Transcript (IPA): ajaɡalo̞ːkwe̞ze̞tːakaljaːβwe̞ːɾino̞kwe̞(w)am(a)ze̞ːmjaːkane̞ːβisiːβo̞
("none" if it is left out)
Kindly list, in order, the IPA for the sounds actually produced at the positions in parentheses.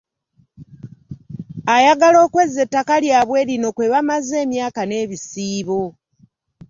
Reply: β, a

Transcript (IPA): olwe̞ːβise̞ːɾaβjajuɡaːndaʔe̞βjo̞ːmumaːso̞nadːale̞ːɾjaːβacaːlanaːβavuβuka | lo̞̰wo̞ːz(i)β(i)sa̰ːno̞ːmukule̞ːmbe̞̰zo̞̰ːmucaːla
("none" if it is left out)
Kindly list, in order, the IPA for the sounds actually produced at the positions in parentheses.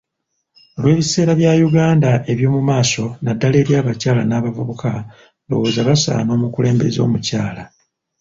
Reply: a, a

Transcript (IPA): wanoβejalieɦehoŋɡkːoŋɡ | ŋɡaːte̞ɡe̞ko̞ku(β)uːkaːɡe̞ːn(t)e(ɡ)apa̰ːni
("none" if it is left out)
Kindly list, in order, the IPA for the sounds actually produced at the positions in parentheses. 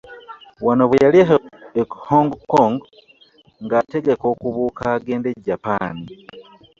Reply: β, d, ɟ

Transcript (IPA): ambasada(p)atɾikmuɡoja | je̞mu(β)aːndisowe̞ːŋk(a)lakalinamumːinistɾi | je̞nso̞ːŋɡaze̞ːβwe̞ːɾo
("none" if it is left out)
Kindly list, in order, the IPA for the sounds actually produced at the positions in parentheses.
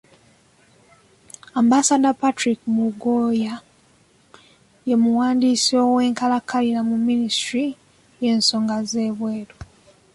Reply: p, w, a

